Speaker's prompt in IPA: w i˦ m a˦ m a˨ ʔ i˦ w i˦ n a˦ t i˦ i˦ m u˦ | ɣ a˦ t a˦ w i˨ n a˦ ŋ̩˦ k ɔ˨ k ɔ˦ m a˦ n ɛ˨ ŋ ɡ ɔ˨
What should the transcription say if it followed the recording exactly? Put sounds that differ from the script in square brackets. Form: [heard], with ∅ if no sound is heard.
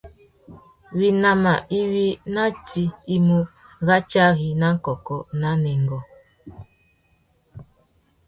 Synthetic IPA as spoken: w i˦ [n] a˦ m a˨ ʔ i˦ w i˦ n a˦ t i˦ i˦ m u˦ | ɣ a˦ [t͡ʃ] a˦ [ɣ] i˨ n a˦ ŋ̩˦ k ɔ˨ k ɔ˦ [n] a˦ n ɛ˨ ŋ ɡ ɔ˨